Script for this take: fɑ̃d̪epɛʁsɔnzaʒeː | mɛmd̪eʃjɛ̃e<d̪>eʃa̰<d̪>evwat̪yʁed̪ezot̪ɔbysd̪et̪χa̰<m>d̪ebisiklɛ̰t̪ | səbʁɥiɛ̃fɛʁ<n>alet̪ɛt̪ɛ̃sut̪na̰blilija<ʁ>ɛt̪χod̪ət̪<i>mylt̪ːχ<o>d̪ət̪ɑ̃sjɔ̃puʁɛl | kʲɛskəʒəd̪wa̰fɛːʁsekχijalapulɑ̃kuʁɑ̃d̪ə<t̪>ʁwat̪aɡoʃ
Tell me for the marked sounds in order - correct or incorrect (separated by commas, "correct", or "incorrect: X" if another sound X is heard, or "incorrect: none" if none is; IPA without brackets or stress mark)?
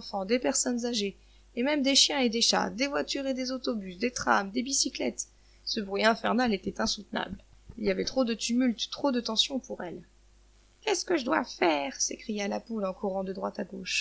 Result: correct, correct, correct, correct, incorrect: v, incorrect: y, correct, incorrect: d̪